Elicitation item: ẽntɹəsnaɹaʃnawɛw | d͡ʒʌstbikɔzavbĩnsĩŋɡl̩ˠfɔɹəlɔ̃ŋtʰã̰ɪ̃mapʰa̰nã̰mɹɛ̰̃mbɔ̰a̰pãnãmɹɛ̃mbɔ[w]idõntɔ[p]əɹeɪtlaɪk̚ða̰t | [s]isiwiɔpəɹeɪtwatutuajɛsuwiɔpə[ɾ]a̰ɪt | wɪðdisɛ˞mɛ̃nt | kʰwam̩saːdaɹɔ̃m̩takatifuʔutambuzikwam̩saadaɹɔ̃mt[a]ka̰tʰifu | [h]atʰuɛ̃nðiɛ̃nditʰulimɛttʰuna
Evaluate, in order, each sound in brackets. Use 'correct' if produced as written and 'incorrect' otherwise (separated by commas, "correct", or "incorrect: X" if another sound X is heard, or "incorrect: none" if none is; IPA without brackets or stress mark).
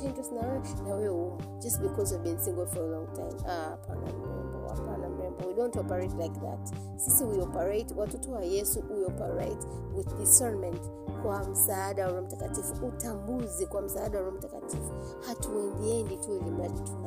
correct, correct, correct, incorrect: ɹ, correct, correct